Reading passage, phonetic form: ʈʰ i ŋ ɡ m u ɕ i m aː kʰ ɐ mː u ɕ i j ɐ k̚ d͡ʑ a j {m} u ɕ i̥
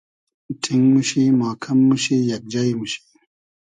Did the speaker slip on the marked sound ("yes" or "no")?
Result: no